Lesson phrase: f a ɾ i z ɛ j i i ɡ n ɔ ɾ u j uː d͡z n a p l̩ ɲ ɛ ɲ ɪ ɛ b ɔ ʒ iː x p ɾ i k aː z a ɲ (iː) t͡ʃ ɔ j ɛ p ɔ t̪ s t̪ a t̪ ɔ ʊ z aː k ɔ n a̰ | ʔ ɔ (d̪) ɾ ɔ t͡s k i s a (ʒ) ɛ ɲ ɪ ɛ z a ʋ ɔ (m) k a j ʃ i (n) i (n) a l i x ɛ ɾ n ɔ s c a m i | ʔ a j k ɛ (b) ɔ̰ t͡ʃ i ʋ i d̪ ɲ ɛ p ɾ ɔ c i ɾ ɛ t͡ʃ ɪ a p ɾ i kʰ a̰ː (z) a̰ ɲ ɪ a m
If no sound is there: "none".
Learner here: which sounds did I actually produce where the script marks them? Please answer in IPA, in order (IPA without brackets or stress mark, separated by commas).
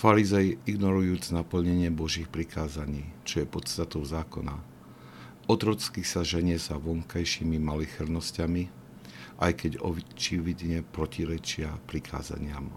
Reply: iː, t̪, ʒ, ŋ, m, m, ɟ, z